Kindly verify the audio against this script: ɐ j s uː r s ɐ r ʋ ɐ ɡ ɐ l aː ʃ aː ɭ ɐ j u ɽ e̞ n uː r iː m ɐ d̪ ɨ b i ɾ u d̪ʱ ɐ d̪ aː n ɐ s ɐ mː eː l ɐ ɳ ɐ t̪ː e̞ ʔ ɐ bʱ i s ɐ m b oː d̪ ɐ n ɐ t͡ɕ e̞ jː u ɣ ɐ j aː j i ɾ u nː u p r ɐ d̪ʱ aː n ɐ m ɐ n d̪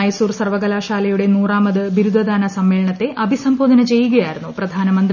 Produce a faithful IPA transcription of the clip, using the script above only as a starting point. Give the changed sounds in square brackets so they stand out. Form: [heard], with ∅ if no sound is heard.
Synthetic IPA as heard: ɐ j s uː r s ɐ r ʋ ɐ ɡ ɐ l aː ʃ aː [l] ɐ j u ɽ e̞ n uː r [aː] m ɐ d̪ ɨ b i ɾ u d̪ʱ ɐ d̪ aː n ɐ s ɐ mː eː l ɐ ɳ ɐ t̪ː e̞ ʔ ɐ bʱ i s ɐ m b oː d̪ ɐ n ɐ t͡ɕ e̞ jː u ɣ ɐ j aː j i ɾ u nː u p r ɐ d̪ʱ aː n ɐ m ɐ n d̪

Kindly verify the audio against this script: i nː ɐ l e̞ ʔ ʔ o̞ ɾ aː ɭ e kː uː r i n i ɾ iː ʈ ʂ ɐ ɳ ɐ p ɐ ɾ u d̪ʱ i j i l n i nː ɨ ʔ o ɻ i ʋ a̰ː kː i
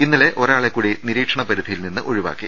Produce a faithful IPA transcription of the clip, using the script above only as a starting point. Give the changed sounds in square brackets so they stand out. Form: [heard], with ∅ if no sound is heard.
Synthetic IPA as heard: i nː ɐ l e̞ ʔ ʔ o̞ ɾ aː ɭ e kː uː [ɽ] i n i ɾ iː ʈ ʂ ɐ ɳ ɐ p ɐ ɾ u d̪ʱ i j i l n i nː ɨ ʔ o ɻ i ʋ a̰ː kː i

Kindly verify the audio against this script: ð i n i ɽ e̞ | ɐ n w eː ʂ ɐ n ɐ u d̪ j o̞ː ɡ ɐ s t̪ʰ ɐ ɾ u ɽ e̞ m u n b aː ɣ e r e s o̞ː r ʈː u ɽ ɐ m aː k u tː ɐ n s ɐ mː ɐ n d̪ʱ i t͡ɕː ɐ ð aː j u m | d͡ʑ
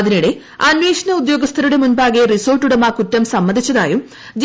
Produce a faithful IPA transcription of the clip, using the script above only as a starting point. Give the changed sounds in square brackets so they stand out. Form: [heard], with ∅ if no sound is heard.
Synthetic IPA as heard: ð i n i ɽ e̞ | ɐ n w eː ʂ ɐ n ɐ u d̪ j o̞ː ɡ ɐ s t̪ʰ ɐ ɾ u ɽ e̞ m u n b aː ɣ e r [i] s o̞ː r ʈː u ɽ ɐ m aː k u tː ɐ [m] s ɐ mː ɐ n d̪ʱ i t͡ɕː ɐ ð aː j u m | d͡ʑ

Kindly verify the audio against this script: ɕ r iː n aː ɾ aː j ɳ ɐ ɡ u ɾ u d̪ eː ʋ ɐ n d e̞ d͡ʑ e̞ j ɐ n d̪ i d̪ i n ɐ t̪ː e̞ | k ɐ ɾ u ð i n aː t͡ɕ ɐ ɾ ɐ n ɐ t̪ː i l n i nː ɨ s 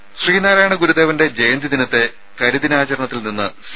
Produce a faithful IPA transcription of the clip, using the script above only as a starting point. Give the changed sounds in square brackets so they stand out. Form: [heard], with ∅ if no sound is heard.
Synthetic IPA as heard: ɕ r iː n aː ɾ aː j ɳ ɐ ɡ u ɾ u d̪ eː ʋ ɐ n d e̞ d͡ʑ e̞ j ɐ n d̪ i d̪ i n ɐ t̪ː e̞ | k ɐ ɾ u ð i n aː t͡ɕ ɐ ɾ ɐ [ɳ] ɐ t̪ː i l n i nː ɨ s

